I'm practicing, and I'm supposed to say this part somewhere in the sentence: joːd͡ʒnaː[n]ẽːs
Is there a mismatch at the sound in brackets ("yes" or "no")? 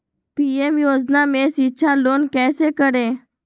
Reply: yes